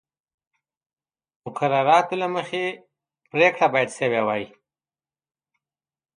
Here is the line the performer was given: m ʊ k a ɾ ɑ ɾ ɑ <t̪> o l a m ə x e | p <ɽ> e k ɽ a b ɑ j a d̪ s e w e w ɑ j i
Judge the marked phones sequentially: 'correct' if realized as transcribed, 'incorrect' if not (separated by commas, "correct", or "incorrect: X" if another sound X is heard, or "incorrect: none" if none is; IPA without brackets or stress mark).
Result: correct, incorrect: ɾ